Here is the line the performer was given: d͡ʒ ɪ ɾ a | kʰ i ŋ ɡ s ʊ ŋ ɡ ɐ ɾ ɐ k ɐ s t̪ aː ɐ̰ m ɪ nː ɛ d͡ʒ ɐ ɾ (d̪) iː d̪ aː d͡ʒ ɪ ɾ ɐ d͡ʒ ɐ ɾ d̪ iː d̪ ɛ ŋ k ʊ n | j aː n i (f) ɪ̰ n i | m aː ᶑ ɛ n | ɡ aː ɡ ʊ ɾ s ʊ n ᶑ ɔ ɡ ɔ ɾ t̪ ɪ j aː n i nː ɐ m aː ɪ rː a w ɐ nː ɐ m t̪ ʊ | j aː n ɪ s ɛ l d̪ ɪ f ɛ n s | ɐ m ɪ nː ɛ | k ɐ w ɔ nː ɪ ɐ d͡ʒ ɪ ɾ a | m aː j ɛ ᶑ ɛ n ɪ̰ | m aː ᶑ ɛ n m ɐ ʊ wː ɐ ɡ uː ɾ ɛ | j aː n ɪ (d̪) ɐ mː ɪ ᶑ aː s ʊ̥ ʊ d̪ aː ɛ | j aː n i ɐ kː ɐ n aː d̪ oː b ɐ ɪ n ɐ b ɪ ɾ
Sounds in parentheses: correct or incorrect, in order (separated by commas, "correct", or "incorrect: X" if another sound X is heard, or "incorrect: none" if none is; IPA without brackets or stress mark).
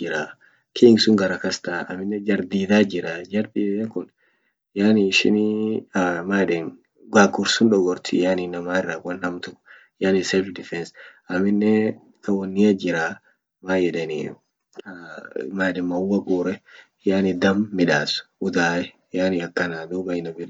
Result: correct, incorrect: ʃ, correct